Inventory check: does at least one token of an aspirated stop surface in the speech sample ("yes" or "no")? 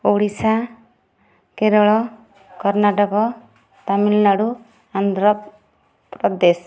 no